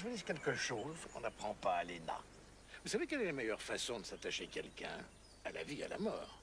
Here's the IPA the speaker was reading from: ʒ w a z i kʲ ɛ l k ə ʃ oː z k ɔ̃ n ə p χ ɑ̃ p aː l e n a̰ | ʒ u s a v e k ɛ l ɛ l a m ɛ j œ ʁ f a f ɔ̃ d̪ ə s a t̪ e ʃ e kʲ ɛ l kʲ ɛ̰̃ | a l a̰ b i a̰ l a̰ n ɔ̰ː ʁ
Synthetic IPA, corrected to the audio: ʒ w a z i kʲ ɛ l k ə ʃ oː z k ɔ̃ n a p χ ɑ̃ p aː l e n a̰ | v u s a v e k ɛ l ɛ l a m ɛ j œ ʁ f a s ɔ̃ d̪ ə s a t̪ a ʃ e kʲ ɛ l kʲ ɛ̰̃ | a l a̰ v i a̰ l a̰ m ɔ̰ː ʁ